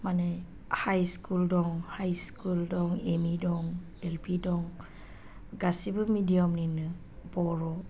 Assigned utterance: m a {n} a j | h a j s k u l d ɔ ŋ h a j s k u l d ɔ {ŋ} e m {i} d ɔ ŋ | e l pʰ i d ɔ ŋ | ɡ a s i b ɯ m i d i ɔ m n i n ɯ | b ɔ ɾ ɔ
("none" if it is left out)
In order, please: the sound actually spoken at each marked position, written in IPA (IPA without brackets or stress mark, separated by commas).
n, ŋ, i